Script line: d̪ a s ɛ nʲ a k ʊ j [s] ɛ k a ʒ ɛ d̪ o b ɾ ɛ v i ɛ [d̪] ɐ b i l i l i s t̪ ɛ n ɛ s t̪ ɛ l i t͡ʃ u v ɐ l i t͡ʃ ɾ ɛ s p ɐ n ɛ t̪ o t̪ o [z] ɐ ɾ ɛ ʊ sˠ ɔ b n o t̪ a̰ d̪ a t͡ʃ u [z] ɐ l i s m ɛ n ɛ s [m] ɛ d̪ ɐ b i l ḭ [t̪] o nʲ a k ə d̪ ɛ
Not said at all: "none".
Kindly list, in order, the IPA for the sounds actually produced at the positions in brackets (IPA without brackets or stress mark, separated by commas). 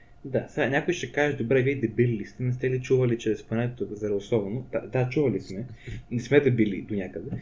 ʃ, d̪, z, v, m, d̪